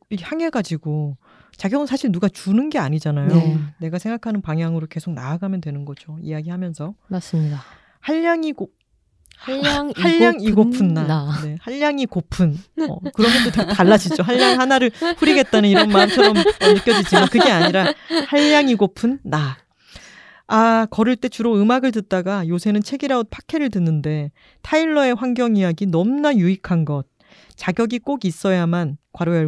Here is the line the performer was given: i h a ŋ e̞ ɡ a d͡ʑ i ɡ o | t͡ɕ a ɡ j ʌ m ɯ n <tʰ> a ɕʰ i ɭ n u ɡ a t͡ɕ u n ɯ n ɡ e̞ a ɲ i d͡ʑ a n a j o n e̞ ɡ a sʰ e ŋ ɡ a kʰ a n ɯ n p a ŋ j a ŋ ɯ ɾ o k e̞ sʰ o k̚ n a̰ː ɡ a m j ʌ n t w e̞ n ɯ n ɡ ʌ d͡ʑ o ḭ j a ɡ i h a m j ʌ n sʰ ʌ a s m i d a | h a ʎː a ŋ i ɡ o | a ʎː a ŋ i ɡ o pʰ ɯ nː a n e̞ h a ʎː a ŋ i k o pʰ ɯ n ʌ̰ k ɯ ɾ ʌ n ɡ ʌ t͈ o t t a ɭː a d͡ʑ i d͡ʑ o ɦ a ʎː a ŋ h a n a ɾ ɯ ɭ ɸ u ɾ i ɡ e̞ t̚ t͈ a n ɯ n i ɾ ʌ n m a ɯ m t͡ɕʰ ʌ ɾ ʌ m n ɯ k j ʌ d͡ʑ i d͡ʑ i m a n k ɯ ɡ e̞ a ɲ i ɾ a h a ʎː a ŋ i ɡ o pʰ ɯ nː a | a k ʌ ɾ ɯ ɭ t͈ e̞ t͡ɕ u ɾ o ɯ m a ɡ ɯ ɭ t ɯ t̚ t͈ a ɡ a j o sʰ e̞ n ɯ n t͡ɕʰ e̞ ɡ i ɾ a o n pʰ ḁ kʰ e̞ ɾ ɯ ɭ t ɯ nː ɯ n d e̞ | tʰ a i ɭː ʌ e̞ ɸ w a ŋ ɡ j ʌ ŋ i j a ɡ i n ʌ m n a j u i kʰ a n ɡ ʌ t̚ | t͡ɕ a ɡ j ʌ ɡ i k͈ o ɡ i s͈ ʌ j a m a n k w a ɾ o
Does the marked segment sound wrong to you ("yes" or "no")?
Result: yes